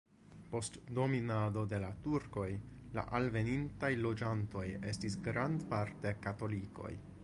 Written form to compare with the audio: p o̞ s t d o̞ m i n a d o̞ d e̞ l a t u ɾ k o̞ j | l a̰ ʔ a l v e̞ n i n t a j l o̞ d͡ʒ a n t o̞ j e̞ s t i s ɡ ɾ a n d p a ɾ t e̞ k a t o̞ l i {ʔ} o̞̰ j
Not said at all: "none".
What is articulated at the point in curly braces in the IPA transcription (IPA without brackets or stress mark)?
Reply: k